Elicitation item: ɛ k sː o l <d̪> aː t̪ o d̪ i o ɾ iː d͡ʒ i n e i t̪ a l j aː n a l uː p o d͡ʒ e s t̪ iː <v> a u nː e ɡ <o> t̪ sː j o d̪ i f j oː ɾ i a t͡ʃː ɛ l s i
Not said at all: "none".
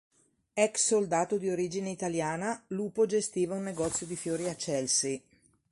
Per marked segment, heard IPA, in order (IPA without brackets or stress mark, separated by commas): d̪, v, ɔ